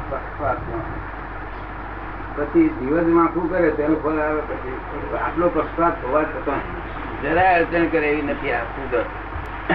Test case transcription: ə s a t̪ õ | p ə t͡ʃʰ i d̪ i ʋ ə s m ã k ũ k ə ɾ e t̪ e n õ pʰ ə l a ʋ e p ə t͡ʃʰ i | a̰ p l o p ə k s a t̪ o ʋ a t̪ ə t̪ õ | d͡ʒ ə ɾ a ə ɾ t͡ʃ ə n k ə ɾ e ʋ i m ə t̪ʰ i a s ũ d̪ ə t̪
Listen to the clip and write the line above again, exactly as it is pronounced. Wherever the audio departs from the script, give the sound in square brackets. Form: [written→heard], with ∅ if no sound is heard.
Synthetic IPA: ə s a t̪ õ | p ə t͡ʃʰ i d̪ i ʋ ə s m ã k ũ k ə ɾ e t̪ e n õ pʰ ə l a ʋ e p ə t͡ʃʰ i | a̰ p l o p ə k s a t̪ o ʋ a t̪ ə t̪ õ | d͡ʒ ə ɾ a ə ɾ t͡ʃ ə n k ə ɾ e ʋ i [m→n] ə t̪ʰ i a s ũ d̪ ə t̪